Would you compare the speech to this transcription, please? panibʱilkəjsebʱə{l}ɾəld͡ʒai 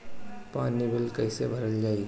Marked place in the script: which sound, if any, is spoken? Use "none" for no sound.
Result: none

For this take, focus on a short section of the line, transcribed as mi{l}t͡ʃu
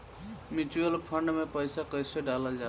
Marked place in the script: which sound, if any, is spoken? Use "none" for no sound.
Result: none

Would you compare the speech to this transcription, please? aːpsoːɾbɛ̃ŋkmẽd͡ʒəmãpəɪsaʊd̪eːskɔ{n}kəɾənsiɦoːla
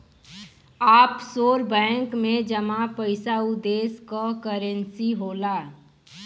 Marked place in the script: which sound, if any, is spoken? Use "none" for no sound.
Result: none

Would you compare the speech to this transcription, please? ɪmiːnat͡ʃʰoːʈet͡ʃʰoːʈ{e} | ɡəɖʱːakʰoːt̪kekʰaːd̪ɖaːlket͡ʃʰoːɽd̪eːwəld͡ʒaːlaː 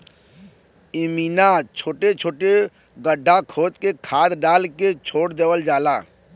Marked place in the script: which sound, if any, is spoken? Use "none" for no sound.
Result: e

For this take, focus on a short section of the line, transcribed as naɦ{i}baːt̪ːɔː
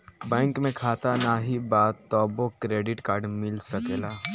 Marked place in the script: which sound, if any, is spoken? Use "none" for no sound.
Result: i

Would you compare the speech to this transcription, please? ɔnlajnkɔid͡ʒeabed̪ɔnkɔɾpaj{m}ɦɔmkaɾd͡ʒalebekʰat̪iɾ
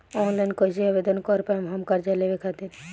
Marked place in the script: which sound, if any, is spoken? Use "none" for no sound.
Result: m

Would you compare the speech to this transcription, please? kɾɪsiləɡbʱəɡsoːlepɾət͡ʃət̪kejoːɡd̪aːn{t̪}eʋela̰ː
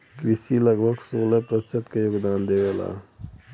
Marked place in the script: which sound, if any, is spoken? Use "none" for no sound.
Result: d̪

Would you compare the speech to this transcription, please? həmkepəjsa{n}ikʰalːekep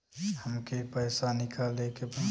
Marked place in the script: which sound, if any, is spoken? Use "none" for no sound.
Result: n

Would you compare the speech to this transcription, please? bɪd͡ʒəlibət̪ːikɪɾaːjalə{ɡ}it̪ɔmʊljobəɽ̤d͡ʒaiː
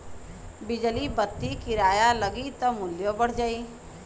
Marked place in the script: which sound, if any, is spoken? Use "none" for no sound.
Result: ɡ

